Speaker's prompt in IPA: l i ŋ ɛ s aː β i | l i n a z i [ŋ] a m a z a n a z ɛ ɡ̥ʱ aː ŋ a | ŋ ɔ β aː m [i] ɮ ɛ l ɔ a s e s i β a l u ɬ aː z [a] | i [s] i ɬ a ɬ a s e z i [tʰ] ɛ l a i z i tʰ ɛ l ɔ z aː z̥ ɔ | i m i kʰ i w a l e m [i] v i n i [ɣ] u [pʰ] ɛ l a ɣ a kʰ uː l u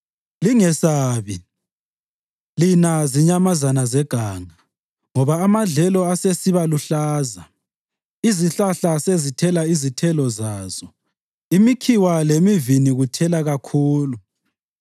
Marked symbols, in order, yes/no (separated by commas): no, no, yes, no, yes, yes, yes, no